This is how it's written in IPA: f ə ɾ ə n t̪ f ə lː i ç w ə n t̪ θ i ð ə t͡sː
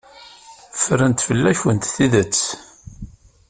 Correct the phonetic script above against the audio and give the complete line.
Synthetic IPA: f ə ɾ ə n t̪ f ə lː æ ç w ə n t̪ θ i ð ə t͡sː